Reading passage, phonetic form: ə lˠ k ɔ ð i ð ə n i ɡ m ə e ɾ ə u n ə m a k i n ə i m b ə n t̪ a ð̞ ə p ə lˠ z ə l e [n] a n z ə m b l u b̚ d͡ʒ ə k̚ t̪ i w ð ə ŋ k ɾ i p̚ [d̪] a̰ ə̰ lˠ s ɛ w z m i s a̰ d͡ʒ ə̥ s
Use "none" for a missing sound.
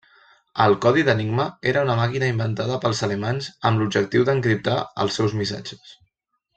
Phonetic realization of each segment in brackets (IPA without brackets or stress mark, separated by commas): m, t̪